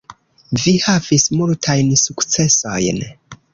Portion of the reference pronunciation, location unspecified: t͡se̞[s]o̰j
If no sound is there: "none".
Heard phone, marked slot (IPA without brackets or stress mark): s